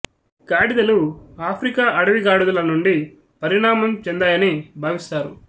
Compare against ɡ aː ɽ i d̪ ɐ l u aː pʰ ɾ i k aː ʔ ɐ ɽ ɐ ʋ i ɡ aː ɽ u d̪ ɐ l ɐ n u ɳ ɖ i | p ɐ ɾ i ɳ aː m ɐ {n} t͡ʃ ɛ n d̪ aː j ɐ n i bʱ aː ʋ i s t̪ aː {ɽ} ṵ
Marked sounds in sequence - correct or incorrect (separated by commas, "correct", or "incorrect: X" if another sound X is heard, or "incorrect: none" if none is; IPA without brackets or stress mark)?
incorrect: m, incorrect: ɾ